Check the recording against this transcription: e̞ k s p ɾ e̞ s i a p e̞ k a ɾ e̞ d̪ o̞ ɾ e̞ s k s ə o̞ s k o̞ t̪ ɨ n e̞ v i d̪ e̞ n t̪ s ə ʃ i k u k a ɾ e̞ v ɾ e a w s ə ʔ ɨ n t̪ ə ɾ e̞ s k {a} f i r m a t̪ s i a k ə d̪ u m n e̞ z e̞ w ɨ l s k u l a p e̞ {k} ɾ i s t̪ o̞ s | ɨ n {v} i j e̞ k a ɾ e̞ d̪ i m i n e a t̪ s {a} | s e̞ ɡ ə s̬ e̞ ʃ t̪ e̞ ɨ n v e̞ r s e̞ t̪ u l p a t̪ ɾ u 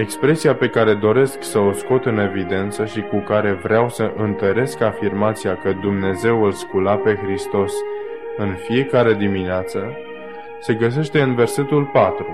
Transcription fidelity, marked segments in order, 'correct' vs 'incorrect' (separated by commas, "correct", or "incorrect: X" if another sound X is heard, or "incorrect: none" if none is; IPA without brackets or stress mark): correct, incorrect: x, incorrect: f, incorrect: ə